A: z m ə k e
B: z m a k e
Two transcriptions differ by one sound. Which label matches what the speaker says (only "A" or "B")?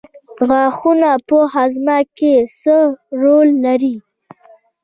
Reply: B